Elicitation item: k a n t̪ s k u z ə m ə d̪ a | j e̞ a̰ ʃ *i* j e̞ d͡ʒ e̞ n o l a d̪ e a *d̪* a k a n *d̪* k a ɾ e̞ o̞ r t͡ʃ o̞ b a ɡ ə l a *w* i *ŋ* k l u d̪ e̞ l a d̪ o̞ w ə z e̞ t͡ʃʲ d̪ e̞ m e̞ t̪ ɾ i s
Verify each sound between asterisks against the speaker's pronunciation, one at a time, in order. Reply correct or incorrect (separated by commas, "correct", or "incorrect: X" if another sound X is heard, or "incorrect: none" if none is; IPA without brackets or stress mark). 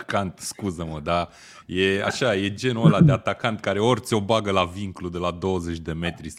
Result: incorrect: a, incorrect: t̪, incorrect: t̪, incorrect: v, correct